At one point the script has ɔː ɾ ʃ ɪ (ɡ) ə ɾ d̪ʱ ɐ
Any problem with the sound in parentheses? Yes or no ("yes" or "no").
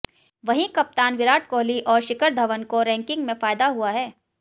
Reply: yes